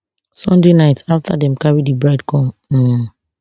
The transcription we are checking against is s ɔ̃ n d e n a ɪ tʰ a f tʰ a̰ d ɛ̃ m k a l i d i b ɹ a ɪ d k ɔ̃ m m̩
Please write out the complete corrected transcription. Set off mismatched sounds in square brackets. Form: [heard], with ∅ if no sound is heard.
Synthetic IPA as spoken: s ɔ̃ n d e n a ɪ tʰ a f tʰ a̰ d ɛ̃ m k a [ɹ] i d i b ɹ a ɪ d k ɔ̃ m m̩